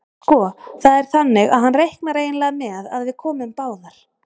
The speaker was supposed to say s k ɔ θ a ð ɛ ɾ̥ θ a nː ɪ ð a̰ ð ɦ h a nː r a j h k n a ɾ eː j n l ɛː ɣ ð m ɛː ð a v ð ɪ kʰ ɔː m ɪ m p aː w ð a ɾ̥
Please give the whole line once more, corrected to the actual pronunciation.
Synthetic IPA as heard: s k ɔ θ a ð ɛ ɾ̥ θ a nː ɪ ɣ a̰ ð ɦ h a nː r e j h k n a ɾ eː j n l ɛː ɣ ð m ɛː ð a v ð ɪ kʰ ɔː m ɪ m p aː w ð a ɾ̥